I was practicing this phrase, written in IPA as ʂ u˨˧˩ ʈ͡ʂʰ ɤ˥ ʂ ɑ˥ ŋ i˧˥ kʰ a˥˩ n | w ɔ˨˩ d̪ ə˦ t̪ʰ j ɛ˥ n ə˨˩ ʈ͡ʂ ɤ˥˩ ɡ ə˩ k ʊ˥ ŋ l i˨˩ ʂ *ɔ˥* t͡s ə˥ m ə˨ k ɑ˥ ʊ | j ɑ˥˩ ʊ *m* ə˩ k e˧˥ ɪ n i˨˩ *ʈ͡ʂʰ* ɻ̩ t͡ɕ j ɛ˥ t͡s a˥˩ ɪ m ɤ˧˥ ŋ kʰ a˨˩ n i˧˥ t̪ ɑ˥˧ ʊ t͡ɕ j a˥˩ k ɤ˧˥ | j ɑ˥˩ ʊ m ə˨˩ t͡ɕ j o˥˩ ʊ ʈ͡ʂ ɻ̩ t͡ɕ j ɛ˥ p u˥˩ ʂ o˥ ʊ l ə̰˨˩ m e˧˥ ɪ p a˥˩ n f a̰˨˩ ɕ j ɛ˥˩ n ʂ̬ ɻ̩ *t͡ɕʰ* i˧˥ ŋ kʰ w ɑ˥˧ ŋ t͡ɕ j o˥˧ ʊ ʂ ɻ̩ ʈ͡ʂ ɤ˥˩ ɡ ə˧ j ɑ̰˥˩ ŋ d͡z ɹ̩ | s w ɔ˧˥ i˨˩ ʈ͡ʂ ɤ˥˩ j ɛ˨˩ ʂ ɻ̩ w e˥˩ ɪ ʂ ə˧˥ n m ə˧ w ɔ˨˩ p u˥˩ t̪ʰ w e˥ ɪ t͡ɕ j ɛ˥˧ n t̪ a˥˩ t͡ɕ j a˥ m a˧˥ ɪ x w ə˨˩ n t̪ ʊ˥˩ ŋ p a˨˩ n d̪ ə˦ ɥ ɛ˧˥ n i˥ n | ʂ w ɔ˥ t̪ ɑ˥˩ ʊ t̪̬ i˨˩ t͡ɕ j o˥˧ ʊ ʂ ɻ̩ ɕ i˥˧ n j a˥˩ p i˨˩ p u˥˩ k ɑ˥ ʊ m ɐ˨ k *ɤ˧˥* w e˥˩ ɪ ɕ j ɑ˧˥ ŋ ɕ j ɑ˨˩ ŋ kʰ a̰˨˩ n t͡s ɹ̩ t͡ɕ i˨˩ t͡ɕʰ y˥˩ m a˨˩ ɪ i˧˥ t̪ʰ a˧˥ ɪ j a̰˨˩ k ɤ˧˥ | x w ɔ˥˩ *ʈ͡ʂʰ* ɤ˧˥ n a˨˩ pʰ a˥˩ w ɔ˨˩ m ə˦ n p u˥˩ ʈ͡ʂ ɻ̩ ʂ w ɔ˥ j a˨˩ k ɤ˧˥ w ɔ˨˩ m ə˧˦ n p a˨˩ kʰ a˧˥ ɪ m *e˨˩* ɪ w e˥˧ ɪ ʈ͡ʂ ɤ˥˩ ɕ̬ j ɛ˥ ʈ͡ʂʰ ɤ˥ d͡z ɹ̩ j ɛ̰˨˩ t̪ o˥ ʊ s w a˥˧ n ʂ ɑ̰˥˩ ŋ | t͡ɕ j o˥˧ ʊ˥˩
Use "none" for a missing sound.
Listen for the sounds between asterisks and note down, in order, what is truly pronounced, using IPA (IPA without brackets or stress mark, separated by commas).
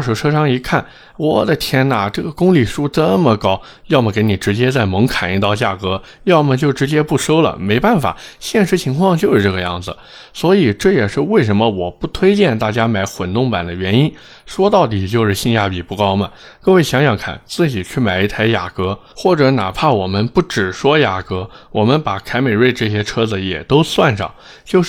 u˥, m, ʈ͡ʂ, t͡ɕʰ, ɤ˥˧, ʈ͡ʂ, e˨˩